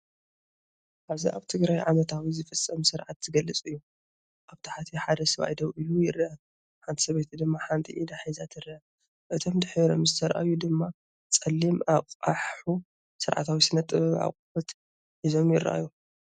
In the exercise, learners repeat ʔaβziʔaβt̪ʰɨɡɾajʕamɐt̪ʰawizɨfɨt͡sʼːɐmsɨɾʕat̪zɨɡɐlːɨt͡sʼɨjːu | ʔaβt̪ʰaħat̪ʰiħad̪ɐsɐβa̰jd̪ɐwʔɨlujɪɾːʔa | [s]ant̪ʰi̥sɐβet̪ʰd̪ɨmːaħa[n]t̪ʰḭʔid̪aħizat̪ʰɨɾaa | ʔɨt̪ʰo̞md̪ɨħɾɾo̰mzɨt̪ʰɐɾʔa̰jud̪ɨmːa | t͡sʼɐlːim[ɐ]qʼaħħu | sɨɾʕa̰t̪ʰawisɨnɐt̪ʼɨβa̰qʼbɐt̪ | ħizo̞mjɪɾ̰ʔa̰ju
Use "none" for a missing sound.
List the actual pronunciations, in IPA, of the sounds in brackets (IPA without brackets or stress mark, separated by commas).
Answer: ħ, n, a